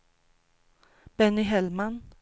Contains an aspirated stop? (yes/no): no